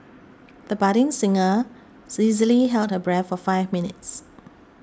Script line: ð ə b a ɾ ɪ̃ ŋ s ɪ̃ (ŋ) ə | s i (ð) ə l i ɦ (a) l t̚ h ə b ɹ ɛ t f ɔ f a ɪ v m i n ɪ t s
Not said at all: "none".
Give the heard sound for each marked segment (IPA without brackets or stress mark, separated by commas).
ŋ, z, ɛ